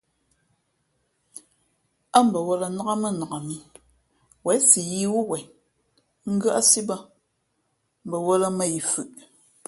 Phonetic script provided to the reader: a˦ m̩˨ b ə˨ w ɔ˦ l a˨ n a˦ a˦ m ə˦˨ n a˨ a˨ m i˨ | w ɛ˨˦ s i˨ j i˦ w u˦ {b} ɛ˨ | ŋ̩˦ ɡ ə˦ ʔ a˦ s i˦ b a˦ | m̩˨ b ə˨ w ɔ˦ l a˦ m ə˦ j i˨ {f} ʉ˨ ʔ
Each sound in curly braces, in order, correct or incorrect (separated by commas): incorrect, correct